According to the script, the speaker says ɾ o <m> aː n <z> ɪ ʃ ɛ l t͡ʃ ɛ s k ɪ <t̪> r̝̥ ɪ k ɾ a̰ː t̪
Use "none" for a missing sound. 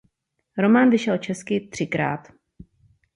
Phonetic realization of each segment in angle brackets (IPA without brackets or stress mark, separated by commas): m, v, t̪